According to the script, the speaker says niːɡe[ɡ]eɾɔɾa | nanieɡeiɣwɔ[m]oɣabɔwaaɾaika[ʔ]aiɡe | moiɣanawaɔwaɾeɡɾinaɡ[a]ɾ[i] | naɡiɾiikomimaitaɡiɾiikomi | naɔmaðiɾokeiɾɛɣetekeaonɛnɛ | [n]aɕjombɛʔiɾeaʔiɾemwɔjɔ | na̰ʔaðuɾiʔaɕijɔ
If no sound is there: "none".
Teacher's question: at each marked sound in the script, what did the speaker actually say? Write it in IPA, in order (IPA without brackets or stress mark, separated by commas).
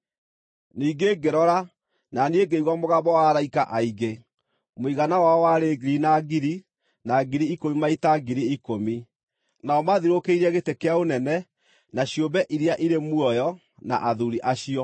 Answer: ɡ, m, ʔ, i, i, n